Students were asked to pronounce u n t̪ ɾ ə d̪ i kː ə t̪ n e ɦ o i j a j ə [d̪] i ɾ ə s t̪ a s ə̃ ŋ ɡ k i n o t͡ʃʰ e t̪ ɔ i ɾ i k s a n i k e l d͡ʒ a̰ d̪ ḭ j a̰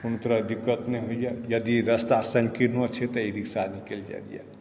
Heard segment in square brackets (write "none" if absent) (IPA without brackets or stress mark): d̪